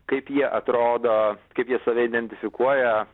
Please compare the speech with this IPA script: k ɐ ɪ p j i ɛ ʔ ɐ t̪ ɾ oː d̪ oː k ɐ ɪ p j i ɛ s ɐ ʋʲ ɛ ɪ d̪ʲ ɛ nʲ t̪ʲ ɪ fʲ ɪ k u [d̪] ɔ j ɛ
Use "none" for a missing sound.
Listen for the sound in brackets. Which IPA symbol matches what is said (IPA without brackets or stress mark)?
none